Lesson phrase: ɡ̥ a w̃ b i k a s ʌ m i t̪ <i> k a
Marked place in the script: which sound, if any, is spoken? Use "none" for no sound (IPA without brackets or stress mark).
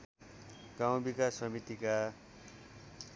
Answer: i